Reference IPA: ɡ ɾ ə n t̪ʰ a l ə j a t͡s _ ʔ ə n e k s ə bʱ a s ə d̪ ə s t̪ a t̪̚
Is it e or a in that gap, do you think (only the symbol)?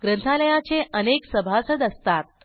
e